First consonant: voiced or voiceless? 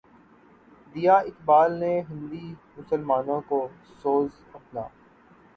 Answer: voiced